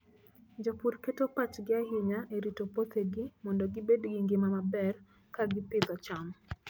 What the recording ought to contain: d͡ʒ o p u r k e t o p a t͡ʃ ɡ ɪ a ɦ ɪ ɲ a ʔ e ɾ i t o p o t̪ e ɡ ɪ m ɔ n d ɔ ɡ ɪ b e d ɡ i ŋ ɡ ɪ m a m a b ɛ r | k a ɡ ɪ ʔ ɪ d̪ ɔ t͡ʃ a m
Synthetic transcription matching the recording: d͡ʒ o p u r k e t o p a t͡ʃ ɡ ɪ a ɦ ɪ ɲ a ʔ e ɾ i t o p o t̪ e ɡ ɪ m ɔ n d ɔ ɡ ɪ b e d ɡ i ŋ ɡ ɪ m a m a b ɛ r | k a ɡ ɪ p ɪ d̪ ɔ t͡ʃ a m